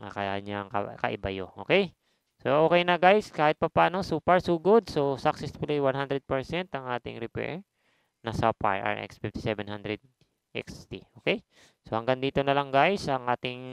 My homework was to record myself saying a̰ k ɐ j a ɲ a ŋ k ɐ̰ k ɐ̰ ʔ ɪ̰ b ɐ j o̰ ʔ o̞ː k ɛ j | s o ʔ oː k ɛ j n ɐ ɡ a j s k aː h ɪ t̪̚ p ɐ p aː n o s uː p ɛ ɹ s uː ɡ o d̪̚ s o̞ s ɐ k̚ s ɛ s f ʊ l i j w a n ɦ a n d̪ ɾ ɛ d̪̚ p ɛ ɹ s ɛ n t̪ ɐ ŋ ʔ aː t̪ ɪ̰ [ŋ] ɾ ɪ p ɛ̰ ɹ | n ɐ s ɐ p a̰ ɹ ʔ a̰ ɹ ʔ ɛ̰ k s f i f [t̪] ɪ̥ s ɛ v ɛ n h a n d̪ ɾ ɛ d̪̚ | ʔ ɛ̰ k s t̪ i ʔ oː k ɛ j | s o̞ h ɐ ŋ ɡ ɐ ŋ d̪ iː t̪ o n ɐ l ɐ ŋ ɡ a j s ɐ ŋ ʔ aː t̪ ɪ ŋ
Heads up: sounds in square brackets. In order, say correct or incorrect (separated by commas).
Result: correct, correct